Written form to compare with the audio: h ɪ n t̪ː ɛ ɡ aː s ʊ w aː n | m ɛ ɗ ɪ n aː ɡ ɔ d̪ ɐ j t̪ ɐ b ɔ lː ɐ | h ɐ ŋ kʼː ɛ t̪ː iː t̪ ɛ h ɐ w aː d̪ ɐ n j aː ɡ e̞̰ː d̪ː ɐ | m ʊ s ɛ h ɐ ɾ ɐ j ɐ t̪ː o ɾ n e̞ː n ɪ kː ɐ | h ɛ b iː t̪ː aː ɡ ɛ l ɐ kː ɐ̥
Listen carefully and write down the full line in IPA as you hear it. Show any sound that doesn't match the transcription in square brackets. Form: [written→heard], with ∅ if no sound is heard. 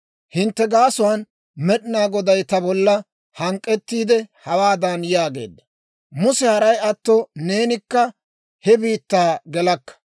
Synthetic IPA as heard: h ɪ n t̪ː ɛ ɡ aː s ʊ w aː n | m ɛ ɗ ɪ n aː ɡ ɔ d̪ ɐ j t̪ ɐ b ɔ lː ɐ | h ɐ ŋ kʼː ɛ t̪ː iː [t̪→d̪] ɛ h ɐ w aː d̪ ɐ n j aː ɡ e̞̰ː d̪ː ɐ | m ʊ s ɛ h ɐ ɾ ɐ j ɐ t̪ː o [ɾ→∅] n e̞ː n ɪ kː ɐ | h ɛ b iː t̪ː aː ɡ ɛ l ɐ kː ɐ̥